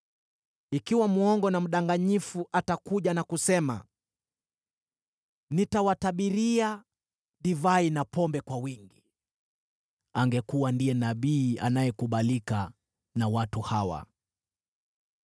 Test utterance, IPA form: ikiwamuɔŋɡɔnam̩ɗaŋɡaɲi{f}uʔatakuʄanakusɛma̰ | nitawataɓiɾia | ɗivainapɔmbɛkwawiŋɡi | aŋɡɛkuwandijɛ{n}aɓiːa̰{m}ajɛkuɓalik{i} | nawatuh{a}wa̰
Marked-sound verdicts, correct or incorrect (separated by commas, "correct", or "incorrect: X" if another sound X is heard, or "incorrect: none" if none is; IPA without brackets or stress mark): correct, correct, incorrect: n, incorrect: a, correct